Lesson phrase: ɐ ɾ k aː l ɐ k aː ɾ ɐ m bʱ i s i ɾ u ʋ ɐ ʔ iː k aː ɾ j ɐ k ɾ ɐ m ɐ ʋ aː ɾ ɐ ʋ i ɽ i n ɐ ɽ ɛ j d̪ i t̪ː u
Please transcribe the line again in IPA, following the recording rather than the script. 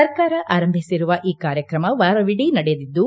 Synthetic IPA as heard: ɐ ɾ k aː ɾ ɐ ʔ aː ɾ ɐ m bʱ i s i ɾ u ʋ ɐ ʔ iː k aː ɾ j ɐ k ɾ ɐ m ɐ ʋ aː ɾ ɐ ʋ i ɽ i n ɐ ɽ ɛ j d̪ i d̪ː u